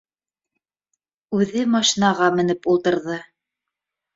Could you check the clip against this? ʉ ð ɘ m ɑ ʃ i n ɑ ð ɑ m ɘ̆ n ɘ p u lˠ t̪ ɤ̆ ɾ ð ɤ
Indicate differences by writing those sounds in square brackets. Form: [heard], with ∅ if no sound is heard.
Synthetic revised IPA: ʉ ð ɘ m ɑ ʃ i n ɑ [ʁ] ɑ m ɘ̆ n ɘ p u lˠ t̪ ɤ̆ ɾ ð ɤ